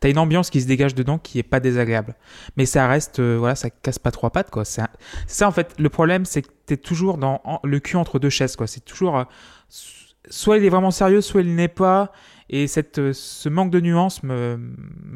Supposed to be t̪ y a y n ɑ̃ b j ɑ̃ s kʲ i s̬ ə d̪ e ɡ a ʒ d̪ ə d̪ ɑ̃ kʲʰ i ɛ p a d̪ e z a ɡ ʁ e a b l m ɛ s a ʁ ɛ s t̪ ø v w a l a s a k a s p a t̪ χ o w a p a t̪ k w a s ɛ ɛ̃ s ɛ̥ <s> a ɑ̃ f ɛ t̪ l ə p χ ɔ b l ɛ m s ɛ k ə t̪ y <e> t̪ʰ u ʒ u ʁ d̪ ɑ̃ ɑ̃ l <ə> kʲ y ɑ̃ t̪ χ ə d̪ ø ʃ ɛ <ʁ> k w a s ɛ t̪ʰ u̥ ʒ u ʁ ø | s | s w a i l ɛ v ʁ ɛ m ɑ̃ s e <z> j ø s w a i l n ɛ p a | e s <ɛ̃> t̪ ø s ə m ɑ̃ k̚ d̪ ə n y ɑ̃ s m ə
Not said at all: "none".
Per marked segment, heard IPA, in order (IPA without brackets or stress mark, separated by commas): s, ɛ, ə, z, ʁ, ɛ